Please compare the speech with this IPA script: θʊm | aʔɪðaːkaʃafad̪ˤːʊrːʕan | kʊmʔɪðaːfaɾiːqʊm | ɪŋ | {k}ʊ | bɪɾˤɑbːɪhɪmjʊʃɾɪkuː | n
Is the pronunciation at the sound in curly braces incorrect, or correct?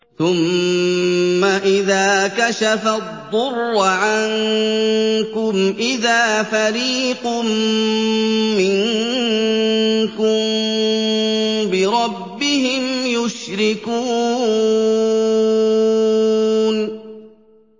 correct